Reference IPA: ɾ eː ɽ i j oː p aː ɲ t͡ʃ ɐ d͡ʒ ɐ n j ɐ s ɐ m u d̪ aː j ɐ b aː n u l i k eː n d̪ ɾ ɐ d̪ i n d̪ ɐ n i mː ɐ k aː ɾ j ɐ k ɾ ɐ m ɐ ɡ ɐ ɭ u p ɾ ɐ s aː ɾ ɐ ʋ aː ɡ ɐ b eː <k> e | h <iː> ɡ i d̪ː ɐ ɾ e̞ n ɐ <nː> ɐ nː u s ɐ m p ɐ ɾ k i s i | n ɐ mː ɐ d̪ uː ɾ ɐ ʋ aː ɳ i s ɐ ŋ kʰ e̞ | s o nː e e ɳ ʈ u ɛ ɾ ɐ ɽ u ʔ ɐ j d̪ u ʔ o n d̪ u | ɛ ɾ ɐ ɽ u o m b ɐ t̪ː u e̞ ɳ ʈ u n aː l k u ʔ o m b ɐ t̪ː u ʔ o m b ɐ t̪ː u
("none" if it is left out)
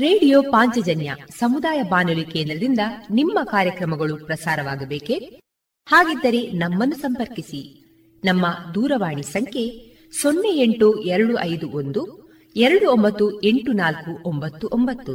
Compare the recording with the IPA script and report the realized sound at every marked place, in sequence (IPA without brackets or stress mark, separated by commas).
k, aː, mː